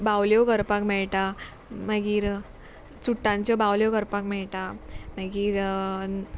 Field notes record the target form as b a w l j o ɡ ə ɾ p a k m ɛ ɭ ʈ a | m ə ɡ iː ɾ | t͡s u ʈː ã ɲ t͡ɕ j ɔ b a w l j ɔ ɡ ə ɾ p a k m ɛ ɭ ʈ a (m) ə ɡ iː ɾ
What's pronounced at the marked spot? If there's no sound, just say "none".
m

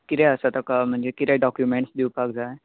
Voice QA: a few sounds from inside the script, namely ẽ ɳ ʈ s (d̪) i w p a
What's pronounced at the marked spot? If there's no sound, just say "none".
d̪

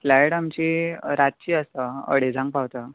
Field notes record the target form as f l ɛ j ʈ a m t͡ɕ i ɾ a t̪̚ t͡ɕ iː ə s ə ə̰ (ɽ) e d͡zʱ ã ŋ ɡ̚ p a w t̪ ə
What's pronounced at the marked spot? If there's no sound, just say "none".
ɽ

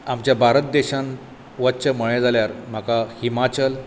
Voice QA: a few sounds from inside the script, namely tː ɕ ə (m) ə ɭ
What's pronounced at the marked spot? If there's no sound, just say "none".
m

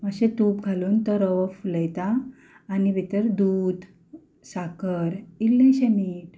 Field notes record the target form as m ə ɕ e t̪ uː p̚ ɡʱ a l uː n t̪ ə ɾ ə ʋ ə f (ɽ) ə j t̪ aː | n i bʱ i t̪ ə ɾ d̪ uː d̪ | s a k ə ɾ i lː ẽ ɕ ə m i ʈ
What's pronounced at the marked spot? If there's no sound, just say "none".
l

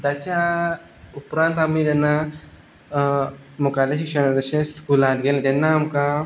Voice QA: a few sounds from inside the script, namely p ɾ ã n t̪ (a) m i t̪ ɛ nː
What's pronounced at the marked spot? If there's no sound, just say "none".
a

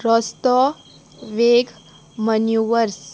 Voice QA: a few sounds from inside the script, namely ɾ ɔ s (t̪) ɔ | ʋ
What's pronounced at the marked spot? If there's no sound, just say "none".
t̪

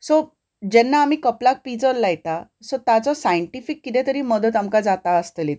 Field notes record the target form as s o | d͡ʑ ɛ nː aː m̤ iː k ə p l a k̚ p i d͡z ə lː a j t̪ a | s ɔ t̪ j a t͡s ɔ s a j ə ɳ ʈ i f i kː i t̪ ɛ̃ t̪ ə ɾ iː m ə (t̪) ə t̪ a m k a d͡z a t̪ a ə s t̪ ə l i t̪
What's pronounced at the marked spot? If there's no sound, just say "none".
d̪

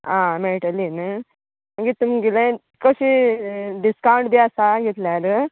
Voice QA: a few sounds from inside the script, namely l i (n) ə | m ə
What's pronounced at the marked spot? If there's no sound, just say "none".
n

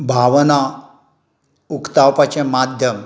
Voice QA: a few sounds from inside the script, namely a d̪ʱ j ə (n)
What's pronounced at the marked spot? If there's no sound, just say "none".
m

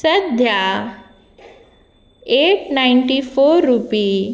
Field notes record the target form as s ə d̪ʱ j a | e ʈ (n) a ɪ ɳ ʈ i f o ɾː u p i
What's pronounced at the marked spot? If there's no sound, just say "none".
n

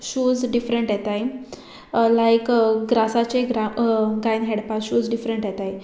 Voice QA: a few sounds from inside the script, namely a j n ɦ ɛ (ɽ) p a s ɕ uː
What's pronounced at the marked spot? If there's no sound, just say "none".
ɽ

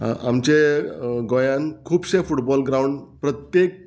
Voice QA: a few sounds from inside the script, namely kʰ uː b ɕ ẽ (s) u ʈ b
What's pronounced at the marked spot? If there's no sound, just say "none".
f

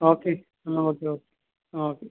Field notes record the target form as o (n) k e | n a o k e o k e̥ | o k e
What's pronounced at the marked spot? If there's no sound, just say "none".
none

